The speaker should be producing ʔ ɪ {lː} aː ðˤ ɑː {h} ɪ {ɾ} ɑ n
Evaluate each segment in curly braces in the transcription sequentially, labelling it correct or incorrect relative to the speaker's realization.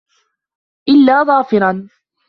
correct, incorrect, correct

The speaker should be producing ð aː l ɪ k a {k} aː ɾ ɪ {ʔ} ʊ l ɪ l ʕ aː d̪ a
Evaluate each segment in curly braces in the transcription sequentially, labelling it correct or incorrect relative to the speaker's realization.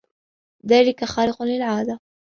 incorrect, incorrect

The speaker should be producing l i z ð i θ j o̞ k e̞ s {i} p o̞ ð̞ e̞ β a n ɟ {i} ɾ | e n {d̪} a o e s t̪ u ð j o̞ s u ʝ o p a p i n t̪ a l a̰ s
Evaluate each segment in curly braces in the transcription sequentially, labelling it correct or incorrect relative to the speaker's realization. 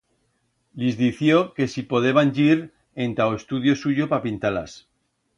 correct, correct, incorrect

